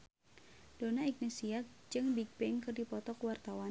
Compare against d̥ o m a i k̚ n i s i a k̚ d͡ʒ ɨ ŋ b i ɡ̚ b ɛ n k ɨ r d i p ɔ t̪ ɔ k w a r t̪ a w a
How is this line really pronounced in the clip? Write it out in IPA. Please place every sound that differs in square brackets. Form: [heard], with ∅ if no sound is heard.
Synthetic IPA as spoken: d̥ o [n] a i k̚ n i s i a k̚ d͡ʒ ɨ ŋ b i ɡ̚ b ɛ [ŋ] k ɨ r d i p ɔ t̪ ɔ k w a r t̪ a w a